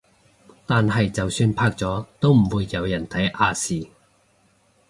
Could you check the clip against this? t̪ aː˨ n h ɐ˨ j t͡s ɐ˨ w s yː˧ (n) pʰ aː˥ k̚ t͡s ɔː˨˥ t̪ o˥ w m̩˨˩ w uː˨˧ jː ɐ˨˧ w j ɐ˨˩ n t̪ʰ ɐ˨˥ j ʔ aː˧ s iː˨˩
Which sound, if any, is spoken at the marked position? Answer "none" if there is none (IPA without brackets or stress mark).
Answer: n